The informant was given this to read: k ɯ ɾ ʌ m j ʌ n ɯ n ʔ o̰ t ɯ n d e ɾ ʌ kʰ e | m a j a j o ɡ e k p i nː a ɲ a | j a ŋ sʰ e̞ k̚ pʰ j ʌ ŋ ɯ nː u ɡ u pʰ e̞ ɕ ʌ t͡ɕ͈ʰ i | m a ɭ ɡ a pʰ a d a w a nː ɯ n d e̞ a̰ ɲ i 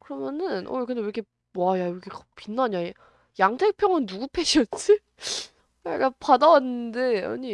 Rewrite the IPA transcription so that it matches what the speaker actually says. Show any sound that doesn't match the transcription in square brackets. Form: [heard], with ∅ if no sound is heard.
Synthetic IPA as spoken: k ɯ ɾ ʌ m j ʌ n ɯ n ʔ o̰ [k] ɯ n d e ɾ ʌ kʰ e | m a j a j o ɡ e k p i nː a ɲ a | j a ŋ [tʰ] e̞ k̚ pʰ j ʌ ŋ ɯ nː u ɡ u pʰ e̞ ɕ ʌ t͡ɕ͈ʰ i | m a ɭ ɡ a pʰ a d a w a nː ɯ n d e̞ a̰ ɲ i